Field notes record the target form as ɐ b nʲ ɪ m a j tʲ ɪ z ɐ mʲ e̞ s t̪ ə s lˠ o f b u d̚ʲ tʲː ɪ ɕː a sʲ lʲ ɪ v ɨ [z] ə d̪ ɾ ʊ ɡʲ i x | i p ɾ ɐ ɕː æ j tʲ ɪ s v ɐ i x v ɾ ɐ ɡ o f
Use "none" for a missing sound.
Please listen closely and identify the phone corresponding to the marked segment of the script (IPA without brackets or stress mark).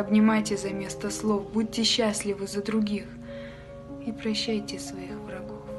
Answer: z